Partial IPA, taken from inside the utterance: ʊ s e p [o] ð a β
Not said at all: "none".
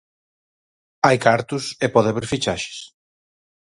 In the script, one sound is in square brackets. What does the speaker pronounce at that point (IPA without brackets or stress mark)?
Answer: ɔ